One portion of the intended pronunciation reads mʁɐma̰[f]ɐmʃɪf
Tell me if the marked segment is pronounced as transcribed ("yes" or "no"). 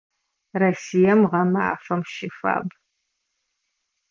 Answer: yes